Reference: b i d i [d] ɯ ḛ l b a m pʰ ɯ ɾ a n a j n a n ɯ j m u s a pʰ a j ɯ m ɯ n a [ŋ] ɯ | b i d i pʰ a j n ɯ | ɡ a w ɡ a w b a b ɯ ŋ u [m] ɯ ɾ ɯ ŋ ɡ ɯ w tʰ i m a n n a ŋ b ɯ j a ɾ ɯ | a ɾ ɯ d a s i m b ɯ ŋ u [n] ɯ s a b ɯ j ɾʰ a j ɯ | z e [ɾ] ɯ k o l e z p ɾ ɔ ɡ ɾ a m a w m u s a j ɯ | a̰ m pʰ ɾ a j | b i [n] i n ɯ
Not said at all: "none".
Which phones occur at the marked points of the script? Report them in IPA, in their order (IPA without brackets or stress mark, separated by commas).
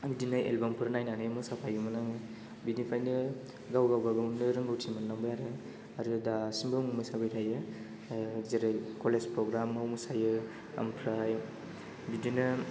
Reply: n, ŋ, n, m, ɾ, d